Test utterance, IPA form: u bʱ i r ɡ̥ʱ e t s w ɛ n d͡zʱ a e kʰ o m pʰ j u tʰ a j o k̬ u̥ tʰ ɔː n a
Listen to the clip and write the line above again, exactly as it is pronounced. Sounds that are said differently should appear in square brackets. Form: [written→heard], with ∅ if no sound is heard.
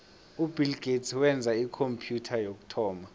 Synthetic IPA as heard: u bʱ i [r→l] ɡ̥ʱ e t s w ɛ n d͡zʱ a [e→i] kʰ o m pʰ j u tʰ a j o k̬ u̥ tʰ ɔː [n→m] a